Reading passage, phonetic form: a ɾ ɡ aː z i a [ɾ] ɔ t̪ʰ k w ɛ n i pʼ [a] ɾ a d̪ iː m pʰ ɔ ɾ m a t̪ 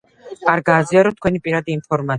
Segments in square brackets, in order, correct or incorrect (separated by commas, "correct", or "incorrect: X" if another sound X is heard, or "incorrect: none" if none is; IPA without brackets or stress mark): correct, incorrect: i